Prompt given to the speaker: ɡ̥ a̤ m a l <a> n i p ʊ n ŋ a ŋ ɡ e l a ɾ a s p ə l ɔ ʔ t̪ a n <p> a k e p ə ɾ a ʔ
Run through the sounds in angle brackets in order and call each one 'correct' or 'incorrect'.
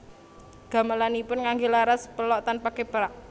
correct, correct

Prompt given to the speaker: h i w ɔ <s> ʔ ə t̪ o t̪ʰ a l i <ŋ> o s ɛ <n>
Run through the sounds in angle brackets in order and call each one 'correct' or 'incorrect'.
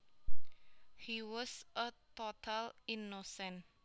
correct, incorrect: n, correct

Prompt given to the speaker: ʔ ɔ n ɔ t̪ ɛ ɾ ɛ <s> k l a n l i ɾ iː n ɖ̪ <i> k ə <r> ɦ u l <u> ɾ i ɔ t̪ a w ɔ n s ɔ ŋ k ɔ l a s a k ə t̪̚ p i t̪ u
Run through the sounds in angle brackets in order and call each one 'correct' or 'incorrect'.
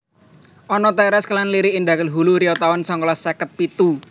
correct, incorrect: a, incorrect: l, correct

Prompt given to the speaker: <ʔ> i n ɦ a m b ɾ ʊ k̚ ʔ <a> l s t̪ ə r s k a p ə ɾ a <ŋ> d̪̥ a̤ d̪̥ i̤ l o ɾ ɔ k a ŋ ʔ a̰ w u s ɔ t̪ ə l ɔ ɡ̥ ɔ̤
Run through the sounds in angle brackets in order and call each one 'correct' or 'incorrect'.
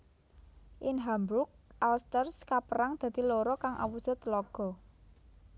correct, correct, correct

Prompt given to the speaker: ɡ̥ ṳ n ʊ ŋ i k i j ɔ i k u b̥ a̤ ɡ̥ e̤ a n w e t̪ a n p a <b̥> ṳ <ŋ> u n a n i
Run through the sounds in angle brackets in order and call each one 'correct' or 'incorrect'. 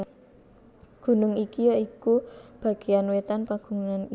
incorrect: ɡ̥, correct

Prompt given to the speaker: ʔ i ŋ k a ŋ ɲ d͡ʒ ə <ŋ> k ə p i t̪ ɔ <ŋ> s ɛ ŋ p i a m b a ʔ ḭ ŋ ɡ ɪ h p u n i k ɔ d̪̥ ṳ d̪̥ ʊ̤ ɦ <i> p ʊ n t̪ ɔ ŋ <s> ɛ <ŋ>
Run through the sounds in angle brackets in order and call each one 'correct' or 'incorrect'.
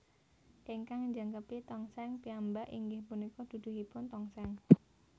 correct, correct, correct, correct, correct

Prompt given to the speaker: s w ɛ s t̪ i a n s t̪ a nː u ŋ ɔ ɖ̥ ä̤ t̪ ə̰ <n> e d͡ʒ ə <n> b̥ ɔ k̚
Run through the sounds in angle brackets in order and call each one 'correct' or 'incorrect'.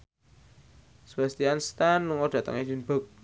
incorrect: ŋ, correct

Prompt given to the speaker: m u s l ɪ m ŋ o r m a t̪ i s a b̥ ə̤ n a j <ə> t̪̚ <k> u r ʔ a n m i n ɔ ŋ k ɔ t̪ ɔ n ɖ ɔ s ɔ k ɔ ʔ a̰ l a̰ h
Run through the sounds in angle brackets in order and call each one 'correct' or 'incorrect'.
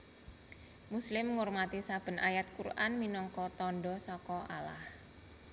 incorrect: a, correct

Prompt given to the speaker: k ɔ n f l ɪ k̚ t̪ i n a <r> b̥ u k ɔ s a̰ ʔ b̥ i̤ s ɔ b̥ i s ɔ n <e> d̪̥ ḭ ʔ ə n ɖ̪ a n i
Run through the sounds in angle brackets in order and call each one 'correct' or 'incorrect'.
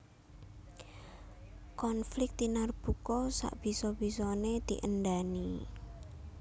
correct, correct

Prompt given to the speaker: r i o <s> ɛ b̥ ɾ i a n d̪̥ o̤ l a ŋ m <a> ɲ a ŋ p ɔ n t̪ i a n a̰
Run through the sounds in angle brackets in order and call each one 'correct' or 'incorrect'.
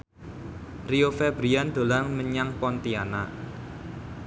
incorrect: f, incorrect: ə

